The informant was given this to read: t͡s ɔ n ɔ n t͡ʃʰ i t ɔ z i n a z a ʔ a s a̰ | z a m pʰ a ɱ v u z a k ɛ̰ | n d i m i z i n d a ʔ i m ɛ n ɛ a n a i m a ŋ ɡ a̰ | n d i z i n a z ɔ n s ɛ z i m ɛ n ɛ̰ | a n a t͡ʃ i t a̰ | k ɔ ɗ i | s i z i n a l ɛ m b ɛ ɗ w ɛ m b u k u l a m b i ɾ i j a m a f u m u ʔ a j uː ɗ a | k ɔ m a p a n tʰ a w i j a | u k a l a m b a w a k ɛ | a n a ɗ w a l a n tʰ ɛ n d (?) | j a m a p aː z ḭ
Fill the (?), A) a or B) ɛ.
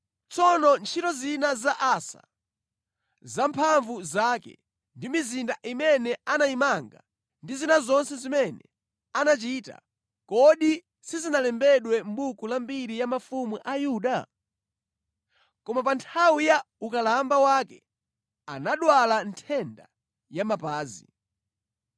A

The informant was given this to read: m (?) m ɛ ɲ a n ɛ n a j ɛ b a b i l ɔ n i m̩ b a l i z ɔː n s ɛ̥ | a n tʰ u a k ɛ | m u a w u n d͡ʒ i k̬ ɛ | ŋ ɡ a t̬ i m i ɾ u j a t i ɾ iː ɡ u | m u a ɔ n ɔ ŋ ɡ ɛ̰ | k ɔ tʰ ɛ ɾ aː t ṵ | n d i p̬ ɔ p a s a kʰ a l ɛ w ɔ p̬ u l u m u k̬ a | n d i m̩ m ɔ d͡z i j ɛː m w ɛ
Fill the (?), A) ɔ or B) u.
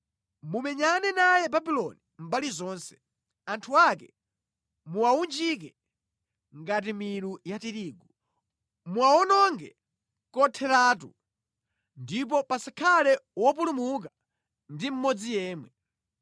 B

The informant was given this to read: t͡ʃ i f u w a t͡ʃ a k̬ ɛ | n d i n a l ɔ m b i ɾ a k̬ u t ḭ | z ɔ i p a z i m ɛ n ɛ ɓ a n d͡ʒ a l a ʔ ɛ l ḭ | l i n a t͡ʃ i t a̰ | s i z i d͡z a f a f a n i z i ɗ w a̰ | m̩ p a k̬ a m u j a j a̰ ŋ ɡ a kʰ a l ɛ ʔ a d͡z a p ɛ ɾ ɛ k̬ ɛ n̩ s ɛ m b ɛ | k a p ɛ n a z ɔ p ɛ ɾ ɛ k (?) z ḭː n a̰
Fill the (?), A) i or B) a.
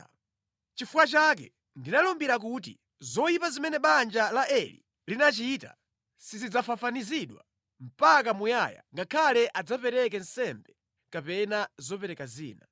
B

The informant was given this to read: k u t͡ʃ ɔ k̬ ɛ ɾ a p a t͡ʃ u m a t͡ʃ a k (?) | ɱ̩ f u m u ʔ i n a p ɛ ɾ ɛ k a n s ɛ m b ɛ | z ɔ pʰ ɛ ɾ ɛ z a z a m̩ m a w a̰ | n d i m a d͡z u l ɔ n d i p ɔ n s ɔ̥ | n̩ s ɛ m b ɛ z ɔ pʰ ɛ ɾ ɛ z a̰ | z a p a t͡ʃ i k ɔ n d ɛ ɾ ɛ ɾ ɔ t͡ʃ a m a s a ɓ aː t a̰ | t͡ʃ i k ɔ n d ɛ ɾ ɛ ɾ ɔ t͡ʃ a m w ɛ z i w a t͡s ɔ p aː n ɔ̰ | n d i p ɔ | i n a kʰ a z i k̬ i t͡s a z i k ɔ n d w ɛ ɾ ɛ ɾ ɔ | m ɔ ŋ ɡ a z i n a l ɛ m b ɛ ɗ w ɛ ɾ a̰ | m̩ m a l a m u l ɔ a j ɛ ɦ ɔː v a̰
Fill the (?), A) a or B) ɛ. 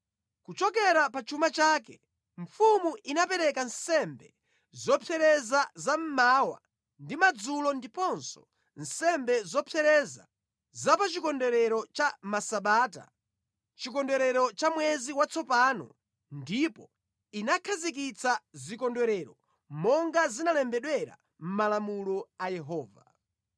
B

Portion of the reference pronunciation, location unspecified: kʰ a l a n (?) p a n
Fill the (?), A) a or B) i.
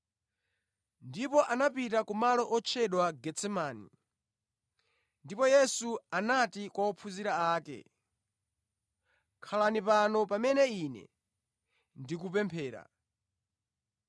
B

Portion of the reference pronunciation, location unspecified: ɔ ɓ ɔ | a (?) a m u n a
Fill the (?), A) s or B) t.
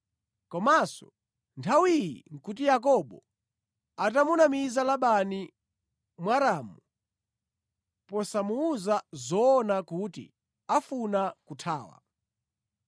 B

